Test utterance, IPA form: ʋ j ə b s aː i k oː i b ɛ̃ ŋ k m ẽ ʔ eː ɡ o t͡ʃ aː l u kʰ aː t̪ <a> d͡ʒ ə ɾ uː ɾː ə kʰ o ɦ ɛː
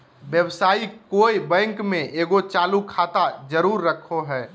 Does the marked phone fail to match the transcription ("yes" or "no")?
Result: no